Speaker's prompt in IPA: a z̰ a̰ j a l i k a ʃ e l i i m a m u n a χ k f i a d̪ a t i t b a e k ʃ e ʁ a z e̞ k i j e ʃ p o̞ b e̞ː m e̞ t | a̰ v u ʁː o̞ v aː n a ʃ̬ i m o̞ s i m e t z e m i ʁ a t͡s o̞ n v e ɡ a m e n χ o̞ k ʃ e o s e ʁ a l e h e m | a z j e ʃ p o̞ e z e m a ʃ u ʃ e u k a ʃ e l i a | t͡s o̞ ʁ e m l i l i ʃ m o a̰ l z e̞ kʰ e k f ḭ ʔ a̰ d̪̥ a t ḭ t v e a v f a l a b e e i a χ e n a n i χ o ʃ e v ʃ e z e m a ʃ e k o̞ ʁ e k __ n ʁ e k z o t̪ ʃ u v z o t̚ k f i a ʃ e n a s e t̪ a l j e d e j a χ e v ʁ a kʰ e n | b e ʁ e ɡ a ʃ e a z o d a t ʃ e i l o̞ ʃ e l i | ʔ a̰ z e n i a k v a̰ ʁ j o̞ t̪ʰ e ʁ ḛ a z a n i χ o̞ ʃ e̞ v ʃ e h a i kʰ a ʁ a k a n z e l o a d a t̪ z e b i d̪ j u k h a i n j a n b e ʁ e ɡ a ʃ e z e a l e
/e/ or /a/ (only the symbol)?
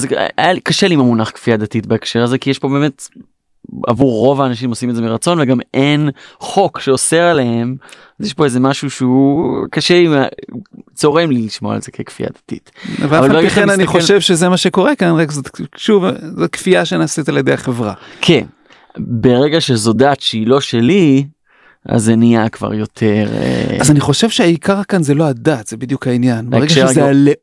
a